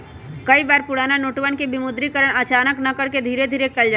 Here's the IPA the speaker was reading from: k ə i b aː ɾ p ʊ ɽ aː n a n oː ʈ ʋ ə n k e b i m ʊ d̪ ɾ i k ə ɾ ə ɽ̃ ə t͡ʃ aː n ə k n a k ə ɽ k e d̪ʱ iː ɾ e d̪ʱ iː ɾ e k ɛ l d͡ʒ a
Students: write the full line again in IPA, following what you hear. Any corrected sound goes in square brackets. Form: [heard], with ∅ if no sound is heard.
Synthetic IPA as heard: k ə i b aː ɾ p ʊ ɽ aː n a n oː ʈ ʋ ə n k e b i m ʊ d̪ ɾ i k ə ɾ ə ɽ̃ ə t͡ʃ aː n ə k n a k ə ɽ k e d̪ʱ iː ɾ e d̪ʱ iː ɾ e k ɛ l d͡ʒ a